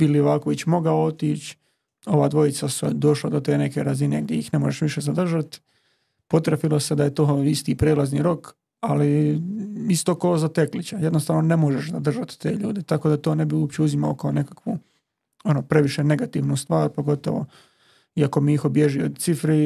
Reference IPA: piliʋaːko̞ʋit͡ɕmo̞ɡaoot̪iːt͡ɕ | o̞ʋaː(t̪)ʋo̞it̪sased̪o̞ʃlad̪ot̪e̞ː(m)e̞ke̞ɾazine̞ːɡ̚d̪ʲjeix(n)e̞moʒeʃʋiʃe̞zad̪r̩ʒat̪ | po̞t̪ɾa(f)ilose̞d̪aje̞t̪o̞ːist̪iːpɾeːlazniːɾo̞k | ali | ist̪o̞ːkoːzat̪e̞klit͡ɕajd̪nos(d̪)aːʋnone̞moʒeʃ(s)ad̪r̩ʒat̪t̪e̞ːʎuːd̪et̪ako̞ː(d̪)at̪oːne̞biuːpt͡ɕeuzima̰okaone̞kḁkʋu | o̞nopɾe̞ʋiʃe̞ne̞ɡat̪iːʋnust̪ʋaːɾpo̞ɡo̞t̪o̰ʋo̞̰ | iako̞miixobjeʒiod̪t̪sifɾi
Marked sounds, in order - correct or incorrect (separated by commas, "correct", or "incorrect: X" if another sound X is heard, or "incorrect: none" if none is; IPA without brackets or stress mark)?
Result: incorrect: d̪, incorrect: n, correct, correct, incorrect: t̪, incorrect: z, correct